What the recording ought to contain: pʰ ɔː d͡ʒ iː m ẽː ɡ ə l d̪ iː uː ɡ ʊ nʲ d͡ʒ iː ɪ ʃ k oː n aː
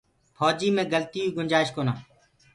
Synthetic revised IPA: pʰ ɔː d͡ʒ iː m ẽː ɡ ə l t̪ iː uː ɡ ʊ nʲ d͡ʒ aː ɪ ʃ k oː n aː